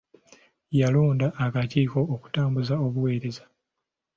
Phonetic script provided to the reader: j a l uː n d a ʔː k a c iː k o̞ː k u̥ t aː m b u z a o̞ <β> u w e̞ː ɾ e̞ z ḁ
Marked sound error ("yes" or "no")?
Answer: no